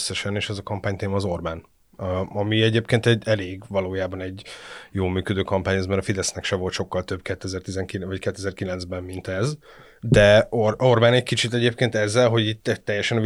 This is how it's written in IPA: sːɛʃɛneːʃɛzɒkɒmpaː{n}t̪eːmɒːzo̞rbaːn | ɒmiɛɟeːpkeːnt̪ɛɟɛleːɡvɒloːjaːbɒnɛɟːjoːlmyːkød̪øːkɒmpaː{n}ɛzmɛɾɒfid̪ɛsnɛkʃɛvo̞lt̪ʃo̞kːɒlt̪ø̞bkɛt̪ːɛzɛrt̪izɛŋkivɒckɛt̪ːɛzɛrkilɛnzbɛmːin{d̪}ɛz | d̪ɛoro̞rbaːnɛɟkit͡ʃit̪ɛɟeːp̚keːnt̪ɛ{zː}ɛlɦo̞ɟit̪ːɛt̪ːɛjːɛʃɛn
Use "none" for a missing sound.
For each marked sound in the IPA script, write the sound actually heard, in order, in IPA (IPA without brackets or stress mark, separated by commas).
ɲ, ɲ, t̪, zː